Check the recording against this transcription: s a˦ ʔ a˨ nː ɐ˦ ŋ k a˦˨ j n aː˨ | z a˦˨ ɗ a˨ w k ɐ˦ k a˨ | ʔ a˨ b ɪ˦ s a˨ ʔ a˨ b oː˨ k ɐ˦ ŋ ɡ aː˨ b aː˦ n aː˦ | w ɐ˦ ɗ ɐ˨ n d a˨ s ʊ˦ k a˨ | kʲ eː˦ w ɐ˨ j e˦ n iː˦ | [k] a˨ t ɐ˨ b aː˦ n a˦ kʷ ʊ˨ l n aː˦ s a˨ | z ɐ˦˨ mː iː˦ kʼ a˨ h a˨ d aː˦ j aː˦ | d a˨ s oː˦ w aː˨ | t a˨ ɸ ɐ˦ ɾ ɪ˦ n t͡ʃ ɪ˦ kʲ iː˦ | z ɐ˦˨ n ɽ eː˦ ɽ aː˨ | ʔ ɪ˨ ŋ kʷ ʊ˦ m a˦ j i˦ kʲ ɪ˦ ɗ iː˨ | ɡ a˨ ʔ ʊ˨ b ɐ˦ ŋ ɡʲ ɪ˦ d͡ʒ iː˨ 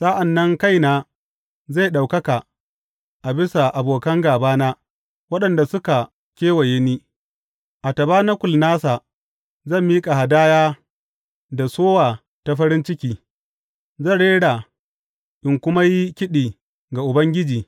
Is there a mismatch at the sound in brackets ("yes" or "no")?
yes